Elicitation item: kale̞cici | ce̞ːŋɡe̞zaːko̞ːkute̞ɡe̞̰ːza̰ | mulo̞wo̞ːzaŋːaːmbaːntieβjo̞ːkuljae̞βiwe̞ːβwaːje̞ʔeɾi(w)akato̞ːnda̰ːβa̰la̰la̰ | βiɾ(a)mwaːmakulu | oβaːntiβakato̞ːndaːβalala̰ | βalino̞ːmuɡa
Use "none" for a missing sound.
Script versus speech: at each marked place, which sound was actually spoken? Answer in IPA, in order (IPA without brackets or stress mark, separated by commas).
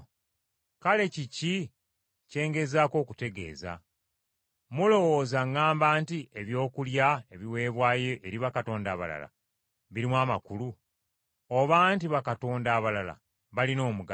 β, i